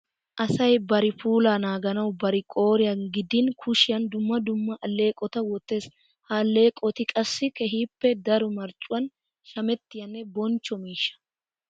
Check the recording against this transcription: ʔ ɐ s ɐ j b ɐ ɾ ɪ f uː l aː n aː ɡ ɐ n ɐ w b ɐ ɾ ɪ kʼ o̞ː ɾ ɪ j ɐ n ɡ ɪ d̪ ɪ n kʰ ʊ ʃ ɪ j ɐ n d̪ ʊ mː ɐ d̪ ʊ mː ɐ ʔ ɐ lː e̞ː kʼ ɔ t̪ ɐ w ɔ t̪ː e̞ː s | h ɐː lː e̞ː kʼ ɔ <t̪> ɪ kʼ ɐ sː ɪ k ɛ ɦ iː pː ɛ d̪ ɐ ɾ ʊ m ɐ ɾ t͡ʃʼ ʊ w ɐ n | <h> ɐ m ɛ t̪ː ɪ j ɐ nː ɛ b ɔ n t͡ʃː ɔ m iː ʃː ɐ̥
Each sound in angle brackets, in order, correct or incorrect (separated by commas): correct, incorrect